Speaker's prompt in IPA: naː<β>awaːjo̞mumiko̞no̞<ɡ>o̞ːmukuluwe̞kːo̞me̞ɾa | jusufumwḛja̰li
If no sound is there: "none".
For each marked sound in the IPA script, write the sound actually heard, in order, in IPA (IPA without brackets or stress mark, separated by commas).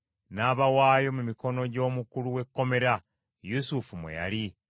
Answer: β, ɟ